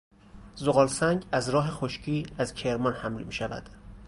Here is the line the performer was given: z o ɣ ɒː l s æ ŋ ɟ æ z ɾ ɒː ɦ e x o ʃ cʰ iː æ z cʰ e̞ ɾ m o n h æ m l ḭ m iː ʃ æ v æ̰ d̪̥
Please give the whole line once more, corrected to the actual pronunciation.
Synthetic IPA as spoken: z o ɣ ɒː l s æ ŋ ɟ æ z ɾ ɒː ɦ e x o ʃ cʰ iː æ z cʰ e̞ ɾ m ɒ n h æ m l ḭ m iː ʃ æ v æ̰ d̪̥